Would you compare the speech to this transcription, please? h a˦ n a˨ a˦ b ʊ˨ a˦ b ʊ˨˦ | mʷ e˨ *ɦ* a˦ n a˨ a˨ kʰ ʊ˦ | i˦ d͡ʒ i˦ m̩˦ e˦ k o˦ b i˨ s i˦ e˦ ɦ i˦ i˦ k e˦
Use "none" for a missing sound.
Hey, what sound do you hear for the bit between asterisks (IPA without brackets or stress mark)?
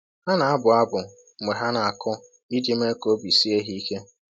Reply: ɦ